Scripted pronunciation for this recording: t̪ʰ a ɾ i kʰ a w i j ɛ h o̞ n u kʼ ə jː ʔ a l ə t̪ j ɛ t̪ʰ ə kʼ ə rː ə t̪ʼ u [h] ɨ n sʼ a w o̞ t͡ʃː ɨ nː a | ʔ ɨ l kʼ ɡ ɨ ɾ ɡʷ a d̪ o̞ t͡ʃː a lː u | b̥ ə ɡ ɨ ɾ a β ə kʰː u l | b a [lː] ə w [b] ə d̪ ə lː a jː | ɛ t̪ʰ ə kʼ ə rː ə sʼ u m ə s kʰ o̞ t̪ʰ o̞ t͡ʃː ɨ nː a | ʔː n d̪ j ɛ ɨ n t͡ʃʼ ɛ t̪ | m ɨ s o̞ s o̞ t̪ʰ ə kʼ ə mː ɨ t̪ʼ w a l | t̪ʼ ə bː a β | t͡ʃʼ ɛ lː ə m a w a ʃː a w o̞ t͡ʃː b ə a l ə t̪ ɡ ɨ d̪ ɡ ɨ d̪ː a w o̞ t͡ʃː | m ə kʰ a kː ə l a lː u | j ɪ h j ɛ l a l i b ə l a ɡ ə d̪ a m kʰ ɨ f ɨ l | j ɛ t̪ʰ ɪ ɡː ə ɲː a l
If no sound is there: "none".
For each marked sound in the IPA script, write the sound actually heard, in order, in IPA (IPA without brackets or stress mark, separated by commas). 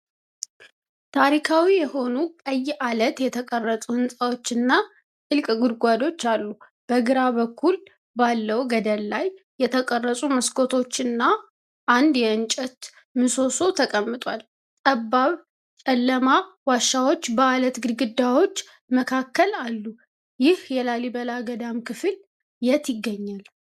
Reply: h, lː, ɡ